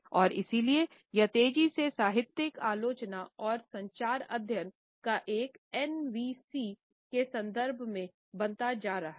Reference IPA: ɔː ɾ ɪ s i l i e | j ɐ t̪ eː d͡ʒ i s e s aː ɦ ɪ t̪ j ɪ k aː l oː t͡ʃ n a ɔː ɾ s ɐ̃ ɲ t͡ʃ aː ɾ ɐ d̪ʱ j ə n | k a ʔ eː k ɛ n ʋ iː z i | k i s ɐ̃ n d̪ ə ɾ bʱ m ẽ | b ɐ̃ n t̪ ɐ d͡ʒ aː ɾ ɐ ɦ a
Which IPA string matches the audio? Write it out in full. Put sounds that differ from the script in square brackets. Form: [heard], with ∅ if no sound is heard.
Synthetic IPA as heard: ɔː ɾ ɪ s i l i e | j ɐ t̪ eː d͡ʒ i s e s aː ɦ ɪ t̪ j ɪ k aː l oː t͡ʃ n a ɔː ɾ s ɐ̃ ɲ t͡ʃ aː ɾ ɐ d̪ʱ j ə n | k a ʔ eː k ɛ n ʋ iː [s] i | k [e] s ɐ̃ n d̪ ə ɾ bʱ m ẽ | b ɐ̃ n t̪ [a] d͡ʒ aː ɾ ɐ ɦ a

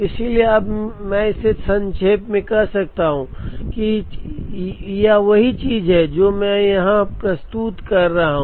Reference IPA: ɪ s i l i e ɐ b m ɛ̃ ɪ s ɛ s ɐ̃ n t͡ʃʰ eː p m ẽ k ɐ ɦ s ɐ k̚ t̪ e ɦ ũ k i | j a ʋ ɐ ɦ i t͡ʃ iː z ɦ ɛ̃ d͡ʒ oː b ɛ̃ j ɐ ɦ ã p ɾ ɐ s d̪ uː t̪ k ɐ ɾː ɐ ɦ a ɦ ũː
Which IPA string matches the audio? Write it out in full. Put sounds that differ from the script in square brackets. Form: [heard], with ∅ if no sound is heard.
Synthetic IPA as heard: ɪ s i l i e ɐ b m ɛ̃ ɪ s [e] s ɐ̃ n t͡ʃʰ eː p m ẽ k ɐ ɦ s ɐ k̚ t̪ [a] ɦ ũ k i | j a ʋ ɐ ɦ i t͡ʃ iː z ɦ [ɛ] d͡ʒ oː [m] ɛ̃ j ɐ ɦ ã p ɾ ɐ s [t̪] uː t̪ k ɐ ɾː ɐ ɦ a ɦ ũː

